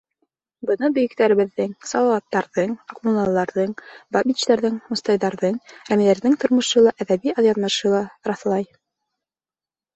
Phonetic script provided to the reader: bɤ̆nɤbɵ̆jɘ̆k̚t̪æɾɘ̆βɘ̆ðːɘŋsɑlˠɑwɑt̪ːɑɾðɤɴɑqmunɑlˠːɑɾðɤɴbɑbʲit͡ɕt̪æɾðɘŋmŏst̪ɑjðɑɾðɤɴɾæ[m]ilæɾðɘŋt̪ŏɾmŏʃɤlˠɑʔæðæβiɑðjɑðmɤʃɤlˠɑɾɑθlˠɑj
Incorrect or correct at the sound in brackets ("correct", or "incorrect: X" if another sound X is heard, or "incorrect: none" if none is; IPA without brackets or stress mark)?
correct